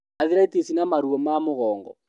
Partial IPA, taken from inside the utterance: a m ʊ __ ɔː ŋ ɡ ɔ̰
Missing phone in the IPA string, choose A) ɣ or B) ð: A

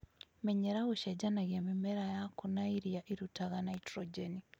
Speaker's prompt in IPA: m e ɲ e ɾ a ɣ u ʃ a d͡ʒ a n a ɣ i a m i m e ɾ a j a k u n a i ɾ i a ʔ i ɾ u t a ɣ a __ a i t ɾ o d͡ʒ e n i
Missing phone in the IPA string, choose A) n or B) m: A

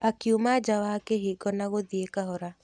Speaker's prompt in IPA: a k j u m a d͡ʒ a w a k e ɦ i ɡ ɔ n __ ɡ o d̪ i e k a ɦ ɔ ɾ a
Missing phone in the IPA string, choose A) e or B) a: B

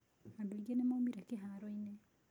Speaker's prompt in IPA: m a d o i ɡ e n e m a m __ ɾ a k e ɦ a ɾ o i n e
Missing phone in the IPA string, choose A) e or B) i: B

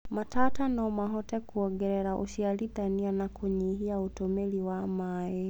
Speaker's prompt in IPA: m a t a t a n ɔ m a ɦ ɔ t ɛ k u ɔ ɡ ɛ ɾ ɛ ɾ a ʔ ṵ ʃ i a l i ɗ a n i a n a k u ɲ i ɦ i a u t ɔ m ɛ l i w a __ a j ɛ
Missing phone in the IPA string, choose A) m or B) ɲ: A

